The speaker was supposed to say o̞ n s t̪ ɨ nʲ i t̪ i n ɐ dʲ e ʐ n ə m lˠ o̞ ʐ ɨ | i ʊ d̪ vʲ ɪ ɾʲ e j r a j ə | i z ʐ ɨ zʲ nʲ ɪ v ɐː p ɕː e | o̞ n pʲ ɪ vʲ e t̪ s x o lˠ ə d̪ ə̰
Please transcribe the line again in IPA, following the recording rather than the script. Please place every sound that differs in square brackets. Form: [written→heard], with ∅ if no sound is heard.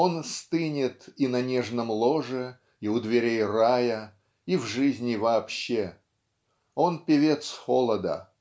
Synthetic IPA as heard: o̞ n s t̪ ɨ nʲ [i→ɪ] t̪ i n ɐ [dʲ→nʲ] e ʐ n ə m lˠ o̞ ʐ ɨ | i ʊ d̪ vʲ ɪ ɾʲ e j r a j ə | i [z→v] ʐ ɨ zʲ nʲ ɪ v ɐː p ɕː e | o̞ n pʲ ɪ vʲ e t̪ s x o lˠ ə d̪ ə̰